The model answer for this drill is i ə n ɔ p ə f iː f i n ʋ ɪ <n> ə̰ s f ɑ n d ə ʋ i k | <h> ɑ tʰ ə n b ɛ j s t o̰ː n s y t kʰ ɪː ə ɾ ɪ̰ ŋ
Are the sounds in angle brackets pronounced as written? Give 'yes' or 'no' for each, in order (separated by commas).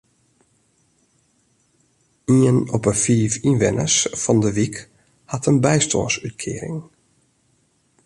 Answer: yes, yes